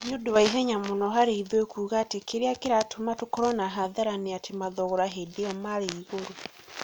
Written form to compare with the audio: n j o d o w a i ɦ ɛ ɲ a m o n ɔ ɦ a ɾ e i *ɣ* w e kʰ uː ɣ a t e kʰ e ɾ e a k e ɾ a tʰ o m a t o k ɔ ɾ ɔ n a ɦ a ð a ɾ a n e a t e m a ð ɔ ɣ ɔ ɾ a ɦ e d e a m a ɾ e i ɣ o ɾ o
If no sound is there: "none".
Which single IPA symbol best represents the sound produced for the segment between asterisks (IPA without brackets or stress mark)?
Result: ð